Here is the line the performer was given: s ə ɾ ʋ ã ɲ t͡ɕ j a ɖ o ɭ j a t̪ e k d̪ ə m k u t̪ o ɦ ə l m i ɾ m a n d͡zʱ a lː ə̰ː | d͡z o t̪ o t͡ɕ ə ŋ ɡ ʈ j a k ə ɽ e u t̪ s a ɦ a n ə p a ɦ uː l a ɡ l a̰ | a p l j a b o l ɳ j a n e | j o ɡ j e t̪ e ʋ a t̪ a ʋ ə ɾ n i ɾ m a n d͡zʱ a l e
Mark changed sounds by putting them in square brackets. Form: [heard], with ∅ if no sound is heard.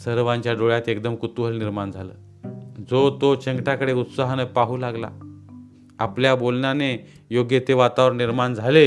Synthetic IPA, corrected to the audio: s ə ɾ ʋ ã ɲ t͡ɕ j a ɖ o ɭ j a t̪ e k d̪ ə m k u t̪ [u] ɦ ə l [n] i ɾ m a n d͡zʱ a [l] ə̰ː | d͡z o t̪ o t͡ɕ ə ŋ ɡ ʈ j a k ə ɽ e u t̪ s a ɦ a n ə p a ɦ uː l a ɡ l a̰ | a p l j a b o l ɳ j a n e | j o ɡ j e t̪ e ʋ a t̪ a ʋ ə ɾ n i ɾ m a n d͡zʱ a l e